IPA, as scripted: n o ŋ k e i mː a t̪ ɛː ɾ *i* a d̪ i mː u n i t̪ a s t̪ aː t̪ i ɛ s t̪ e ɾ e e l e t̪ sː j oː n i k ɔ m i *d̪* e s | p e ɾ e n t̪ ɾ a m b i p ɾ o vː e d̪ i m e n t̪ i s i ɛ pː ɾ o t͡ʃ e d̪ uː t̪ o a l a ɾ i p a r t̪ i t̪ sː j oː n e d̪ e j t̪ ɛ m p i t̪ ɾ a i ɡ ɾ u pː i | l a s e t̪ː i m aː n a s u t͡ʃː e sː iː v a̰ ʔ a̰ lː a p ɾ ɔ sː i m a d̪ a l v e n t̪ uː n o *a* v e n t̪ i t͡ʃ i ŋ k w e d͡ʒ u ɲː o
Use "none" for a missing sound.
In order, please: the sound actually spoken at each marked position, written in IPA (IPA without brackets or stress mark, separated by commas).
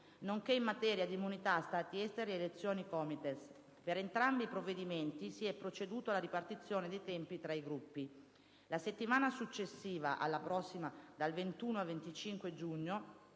j, t̪, a